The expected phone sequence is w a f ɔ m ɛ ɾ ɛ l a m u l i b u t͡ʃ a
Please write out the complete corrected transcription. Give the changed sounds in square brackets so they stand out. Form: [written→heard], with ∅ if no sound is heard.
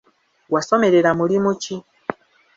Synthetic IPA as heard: w a [f→s] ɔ m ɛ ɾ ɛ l a m u l i [b→m] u t͡ʃ [a→i]